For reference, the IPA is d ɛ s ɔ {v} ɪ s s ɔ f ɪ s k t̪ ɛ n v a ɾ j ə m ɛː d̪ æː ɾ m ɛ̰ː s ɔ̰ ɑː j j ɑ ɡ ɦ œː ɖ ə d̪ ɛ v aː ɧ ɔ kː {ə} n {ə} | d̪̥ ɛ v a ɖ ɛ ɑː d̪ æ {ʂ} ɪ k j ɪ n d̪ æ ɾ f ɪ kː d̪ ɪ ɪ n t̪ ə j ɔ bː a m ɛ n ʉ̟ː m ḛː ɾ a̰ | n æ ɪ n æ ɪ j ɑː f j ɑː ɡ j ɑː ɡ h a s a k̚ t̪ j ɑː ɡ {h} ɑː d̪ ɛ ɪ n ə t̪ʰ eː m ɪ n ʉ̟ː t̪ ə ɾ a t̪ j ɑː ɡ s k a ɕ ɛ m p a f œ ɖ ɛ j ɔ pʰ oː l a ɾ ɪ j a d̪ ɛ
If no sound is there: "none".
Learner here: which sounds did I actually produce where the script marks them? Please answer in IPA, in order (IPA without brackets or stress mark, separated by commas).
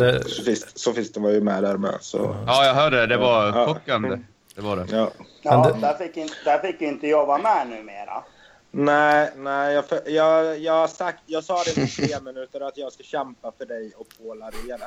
f, a, ə, f, s